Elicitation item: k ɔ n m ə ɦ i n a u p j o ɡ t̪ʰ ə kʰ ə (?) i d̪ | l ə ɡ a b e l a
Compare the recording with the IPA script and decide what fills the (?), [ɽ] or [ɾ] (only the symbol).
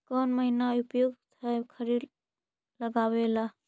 ɾ